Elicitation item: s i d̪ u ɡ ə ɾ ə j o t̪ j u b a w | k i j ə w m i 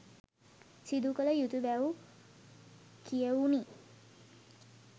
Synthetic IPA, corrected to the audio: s i d̪ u k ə l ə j u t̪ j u b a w | k i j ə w n i